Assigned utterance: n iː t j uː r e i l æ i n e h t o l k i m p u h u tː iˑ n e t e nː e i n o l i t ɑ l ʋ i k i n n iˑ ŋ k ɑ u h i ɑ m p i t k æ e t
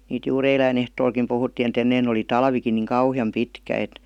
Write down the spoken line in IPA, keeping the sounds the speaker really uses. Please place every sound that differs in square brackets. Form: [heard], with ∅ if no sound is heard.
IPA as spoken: n iː t j uː r e i l æ i n e h t [oː] l k i m p u h u tː iˑ n e t e nː e i n o l i t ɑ l ʋ i k i n n iˑ ŋ k ɑ u h i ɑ m p i t k æ e t